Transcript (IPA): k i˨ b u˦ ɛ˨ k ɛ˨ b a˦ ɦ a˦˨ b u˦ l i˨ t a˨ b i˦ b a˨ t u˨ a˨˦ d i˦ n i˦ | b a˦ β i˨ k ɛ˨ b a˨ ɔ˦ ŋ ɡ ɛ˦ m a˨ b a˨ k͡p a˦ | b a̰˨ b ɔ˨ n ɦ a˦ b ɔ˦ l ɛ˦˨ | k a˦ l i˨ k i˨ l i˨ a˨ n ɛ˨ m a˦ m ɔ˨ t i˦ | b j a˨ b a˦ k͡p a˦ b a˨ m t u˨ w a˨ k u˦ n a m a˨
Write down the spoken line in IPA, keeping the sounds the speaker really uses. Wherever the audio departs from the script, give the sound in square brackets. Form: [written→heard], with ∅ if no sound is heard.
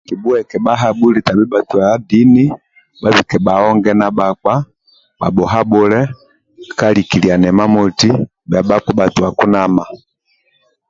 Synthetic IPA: k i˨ b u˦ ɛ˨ k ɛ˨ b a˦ ɦ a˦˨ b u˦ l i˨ t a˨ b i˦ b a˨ t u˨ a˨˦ d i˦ n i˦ | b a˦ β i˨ k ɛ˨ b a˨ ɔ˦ ŋ ɡ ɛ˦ [m→n] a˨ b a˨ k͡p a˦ | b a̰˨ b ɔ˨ [n→∅] ɦ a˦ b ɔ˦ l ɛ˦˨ | k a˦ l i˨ k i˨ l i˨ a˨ n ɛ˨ m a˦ m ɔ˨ t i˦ | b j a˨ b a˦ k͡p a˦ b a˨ [m→∅] t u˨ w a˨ k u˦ n a m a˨